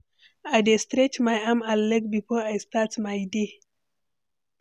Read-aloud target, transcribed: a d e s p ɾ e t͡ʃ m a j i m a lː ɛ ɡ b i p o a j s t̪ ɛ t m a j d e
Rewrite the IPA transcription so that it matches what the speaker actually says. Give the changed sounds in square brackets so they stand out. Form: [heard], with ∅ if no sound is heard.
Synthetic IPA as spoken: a d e s [t] ɾ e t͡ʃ m a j [a] m a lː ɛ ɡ b i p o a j s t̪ [a] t m a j d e